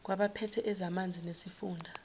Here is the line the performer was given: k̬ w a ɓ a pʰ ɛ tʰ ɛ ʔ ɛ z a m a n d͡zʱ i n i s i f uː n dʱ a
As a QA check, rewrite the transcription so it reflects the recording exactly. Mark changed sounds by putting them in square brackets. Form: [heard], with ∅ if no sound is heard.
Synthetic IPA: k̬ w a ɓ a pʰ ɛ tʰ ɛ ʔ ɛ z a m a n d͡zʱ i n [e] s i f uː n dʱ a